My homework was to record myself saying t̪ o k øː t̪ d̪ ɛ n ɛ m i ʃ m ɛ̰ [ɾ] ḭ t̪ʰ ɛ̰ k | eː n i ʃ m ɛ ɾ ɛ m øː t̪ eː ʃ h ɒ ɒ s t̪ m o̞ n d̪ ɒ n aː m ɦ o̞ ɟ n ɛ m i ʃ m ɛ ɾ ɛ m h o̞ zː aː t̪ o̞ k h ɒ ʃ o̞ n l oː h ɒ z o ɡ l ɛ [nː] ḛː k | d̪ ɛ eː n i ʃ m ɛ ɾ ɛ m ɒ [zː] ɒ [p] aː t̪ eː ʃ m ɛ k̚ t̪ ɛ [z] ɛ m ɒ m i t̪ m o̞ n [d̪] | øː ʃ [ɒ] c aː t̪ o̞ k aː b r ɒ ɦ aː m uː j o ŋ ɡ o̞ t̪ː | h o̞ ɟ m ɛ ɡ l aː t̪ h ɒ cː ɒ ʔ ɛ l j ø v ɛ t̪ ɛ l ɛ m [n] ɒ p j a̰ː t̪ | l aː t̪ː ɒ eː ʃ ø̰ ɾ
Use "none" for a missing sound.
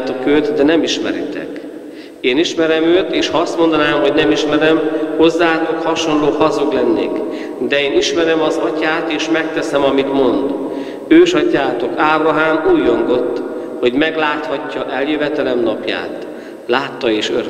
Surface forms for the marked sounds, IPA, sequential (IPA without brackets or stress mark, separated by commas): ɾ, nː, z, c, s, d̪, ɒ, n